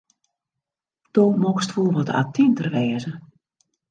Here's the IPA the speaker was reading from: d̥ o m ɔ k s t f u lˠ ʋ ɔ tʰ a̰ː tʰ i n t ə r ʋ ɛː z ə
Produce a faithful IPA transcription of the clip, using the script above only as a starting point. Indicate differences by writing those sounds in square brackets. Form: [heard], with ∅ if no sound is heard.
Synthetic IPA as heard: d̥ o m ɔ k s t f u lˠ ʋ ɔ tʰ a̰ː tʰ i n t ə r ʋ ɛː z ə